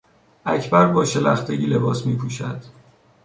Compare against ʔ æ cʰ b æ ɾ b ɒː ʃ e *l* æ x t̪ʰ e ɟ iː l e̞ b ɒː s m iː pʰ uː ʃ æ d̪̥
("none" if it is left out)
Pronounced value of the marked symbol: l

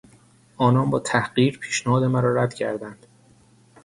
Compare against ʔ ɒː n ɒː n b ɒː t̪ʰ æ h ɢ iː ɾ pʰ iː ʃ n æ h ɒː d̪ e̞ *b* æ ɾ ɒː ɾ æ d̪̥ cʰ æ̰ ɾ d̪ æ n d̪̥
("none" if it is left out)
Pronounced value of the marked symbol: m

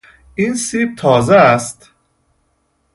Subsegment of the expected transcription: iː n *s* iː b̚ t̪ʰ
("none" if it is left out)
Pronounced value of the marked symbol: s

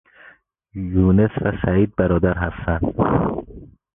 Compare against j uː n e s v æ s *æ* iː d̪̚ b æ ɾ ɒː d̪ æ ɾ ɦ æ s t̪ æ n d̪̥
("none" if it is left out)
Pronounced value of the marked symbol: æ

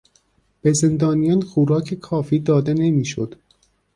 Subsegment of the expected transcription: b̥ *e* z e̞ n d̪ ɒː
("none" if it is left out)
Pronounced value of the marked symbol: e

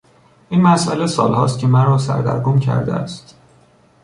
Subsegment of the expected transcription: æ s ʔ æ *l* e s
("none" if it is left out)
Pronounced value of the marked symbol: l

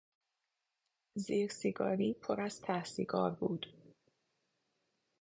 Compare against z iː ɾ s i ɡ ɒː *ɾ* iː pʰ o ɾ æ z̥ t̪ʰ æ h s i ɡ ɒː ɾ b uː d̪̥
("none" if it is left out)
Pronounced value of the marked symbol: ɾ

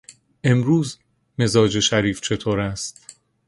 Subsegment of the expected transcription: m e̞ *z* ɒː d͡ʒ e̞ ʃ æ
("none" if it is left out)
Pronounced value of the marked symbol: z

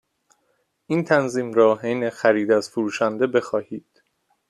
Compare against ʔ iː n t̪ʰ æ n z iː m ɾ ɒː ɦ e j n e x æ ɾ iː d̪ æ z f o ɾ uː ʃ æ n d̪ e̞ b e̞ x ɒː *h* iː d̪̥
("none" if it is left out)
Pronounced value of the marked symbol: h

